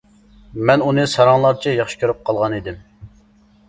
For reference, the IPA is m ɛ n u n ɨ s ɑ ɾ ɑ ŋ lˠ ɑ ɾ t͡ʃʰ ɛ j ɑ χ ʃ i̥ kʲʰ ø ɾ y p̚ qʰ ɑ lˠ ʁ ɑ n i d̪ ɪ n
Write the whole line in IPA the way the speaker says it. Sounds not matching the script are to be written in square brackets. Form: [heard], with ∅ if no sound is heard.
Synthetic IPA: m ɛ n u n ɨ s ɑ ɾ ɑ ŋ lˠ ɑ ɾ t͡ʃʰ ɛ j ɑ χ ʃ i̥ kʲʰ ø ɾ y p̚ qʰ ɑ lˠ ʁ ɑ n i d̪ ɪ [m]